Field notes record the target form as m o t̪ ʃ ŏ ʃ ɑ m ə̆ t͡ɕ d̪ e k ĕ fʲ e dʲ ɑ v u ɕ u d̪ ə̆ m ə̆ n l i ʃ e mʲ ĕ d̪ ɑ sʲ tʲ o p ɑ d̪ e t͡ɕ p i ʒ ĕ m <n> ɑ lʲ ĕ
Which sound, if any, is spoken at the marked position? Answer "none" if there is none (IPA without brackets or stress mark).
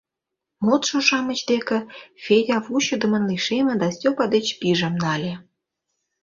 n